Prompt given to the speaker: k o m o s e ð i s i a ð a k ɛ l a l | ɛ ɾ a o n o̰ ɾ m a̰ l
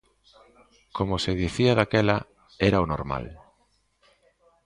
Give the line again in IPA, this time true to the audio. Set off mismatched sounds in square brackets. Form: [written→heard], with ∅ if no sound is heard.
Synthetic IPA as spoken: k o m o s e ð i [s→θ] i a ð a k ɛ l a [l→∅] | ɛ ɾ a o n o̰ ɾ m a̰ l